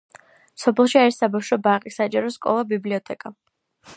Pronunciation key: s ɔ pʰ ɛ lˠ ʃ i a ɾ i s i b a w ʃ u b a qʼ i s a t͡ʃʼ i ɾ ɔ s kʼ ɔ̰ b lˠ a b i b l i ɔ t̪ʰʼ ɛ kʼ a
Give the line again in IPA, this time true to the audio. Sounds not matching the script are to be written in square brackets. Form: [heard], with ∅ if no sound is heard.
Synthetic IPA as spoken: s ɔ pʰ ɛ lˠ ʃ i a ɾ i s [a] b a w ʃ [ɔ] b a qʼ i s a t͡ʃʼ [a] ɾ ɔ s kʼ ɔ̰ [∅] lˠ a b i b l i ɔ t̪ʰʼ ɛ kʼ a